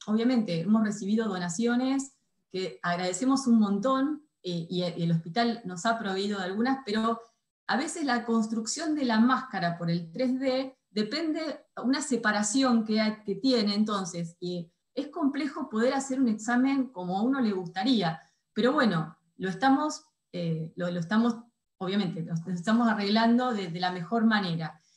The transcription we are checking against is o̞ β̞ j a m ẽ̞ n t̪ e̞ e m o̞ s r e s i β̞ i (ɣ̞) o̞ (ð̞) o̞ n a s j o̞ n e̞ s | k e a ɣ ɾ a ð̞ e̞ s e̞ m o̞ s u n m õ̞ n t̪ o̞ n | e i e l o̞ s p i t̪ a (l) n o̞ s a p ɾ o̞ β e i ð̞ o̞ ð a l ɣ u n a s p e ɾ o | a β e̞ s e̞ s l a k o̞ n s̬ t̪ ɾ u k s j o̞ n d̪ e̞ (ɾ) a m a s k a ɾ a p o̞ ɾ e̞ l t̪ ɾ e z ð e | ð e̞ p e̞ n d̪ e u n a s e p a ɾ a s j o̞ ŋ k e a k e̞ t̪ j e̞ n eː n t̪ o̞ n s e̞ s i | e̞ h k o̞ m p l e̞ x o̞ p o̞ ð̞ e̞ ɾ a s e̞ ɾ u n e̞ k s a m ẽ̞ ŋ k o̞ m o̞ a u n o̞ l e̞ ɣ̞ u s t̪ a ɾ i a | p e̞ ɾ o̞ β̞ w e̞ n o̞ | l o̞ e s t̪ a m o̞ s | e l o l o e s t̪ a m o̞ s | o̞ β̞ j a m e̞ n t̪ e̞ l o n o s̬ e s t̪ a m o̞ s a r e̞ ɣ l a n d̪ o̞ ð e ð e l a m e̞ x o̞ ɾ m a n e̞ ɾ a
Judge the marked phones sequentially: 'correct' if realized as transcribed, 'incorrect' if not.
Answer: incorrect: ð̞, correct, correct, incorrect: l

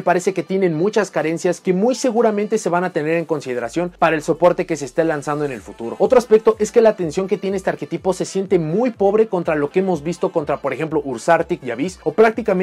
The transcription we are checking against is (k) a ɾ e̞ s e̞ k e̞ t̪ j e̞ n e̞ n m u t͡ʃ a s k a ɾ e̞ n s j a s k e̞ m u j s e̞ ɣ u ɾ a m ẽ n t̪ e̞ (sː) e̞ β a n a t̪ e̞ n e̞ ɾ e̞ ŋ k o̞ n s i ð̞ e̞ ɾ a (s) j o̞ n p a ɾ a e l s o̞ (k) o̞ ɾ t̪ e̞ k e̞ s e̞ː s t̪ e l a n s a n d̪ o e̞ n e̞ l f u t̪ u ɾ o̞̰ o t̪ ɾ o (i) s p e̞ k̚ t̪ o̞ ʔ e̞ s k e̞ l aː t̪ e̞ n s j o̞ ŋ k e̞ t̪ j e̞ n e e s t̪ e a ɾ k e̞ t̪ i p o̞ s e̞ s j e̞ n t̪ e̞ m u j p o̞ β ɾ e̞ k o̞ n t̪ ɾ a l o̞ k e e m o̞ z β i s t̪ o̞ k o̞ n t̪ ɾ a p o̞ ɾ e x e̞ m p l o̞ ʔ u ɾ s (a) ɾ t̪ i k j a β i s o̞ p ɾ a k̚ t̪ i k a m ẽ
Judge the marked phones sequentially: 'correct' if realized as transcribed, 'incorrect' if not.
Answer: incorrect: p, incorrect: s, correct, incorrect: p, incorrect: a, correct

